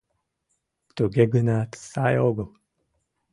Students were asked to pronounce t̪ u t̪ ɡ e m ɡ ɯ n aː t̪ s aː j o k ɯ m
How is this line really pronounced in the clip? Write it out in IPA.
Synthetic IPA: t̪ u ɡ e ɡ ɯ n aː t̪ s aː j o ɡ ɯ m